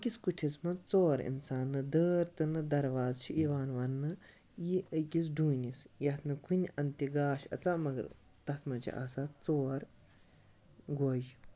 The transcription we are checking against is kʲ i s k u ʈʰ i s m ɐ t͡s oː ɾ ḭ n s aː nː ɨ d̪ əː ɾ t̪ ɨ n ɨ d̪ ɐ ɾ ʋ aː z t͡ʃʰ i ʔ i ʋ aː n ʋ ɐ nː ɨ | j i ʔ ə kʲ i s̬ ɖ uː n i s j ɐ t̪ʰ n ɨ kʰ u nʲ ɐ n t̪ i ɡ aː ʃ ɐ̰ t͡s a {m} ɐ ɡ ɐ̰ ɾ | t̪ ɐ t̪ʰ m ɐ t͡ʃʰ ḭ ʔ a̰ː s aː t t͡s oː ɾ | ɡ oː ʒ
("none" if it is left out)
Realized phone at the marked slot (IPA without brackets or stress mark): m